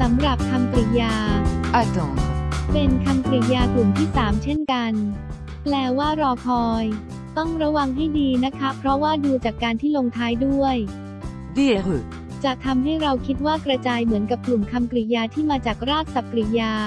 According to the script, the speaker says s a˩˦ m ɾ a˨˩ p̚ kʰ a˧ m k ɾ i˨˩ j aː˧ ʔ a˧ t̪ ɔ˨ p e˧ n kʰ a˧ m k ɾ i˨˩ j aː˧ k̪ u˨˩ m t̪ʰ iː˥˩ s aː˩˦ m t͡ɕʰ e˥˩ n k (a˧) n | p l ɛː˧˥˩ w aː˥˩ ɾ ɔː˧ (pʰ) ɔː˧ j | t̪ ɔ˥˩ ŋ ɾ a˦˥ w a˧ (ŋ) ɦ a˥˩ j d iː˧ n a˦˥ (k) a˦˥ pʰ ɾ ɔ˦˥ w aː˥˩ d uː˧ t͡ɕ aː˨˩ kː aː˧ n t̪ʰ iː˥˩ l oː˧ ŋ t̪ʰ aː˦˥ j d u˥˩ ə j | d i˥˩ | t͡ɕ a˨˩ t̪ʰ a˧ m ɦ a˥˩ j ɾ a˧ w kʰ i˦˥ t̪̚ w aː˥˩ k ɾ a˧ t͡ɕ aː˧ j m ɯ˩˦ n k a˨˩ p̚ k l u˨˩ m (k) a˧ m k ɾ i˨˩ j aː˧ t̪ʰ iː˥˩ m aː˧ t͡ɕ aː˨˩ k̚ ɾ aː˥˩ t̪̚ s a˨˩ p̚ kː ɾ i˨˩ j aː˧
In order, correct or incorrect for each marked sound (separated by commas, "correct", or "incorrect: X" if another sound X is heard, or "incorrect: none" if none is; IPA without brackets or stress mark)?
correct, incorrect: kʰ, correct, incorrect: kʰ, incorrect: kʰ